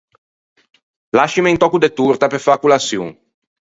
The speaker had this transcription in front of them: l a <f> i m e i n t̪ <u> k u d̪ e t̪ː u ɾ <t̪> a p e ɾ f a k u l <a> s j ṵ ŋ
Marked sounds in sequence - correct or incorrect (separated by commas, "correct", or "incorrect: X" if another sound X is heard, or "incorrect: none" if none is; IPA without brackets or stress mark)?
incorrect: ʃ, incorrect: ɔ, correct, correct